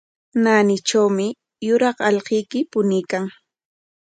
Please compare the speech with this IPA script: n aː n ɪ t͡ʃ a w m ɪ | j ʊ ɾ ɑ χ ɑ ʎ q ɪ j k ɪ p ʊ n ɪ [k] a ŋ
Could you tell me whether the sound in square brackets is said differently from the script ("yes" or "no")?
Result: no